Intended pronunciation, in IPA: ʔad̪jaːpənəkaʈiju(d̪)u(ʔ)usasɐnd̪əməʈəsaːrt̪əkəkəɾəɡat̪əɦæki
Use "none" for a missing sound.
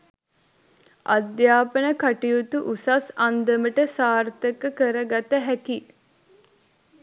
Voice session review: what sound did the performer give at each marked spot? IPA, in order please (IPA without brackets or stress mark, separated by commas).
t̪, ʔ